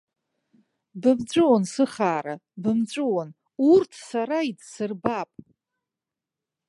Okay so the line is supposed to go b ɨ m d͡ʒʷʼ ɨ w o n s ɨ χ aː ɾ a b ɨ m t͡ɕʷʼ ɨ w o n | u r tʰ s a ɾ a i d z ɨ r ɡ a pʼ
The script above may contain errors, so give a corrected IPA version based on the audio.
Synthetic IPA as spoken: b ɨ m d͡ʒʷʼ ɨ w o n s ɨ χ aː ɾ a b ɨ m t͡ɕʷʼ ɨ w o n | u r tʰ s a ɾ a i d s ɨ r b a pʼ